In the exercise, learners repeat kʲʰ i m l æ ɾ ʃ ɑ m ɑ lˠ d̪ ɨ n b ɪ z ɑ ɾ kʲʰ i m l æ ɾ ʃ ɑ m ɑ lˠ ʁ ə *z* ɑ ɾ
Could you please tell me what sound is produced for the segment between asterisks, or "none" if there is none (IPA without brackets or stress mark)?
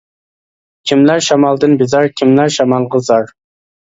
z